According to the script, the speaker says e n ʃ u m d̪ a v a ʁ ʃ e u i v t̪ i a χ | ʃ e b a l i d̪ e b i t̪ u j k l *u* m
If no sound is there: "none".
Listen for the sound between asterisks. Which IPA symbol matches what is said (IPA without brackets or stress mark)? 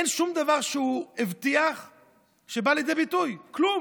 u